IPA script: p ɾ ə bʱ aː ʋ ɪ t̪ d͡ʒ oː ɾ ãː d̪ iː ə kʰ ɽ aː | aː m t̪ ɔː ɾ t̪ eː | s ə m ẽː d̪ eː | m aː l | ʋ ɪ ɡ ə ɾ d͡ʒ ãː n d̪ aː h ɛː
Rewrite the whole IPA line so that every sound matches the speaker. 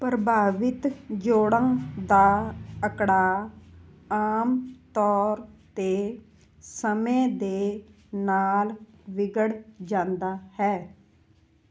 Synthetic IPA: p ɾ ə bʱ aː ʋ ɪ t̪ d͡ʒ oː ɽ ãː d̪ aː ə k ɽ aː | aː m t̪ ɔː ɾ t̪ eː | s ə m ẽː d̪ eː | n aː l | ʋ ɪ ɡ ə ɽ d͡ʒ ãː n d̪ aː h ɛː